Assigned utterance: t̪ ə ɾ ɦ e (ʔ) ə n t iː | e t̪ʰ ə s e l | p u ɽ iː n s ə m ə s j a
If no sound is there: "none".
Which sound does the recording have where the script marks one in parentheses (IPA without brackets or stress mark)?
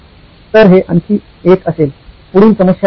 ʔ